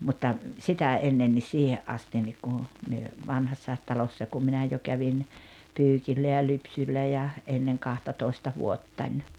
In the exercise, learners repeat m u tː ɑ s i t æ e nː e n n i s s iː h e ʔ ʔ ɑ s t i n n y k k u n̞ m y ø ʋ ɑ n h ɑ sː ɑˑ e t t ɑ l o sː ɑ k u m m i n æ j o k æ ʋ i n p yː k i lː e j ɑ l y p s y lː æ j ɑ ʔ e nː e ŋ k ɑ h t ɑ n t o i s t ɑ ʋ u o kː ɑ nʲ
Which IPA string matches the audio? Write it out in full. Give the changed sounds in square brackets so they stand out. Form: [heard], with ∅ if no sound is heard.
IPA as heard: m u tː ɑ s i t æ e nː e n n i s s iː h e ʔ ʔ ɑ s t i n n [i] k k u n̞ m y ø ʋ ɑ n h ɑ sː ɑˑ e t t ɑ l o sː ɑ k u m m i n æ j o k æ ʋ i n p yː k i lː [æ] j ɑ l y p s y lː æ j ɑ ʔ e nː e ŋ k ɑ h t ɑ [∅] t o i s t ɑ ʋ u o [tː] ɑ nʲ